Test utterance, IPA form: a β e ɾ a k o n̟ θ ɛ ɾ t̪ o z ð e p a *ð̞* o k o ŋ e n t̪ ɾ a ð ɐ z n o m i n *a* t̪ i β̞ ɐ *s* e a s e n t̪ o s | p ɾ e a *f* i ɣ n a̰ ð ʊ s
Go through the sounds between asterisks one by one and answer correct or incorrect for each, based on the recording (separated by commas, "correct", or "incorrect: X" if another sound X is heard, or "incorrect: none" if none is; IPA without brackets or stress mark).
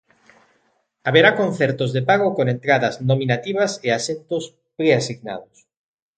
incorrect: ɣ̞, correct, correct, incorrect: s